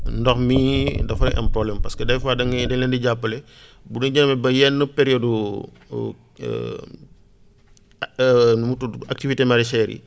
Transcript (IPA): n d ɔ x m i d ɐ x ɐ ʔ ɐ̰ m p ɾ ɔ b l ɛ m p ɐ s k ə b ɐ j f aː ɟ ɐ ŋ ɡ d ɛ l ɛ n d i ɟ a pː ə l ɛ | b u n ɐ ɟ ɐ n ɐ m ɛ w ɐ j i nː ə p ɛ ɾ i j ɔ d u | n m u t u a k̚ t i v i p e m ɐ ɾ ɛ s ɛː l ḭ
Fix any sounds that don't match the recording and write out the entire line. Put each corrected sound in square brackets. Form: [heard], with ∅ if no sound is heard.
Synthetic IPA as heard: n d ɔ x m i d ɐ [f] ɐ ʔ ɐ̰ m p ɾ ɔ b l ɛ m p ɐ s k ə [d] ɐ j f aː [d] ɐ ŋ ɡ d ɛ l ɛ n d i ɟ a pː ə l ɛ | b u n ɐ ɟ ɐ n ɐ m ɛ [b] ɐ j [ɛ] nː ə p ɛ ɾ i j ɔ d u | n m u t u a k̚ t i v i [t] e m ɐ ɾ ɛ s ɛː [ɾ] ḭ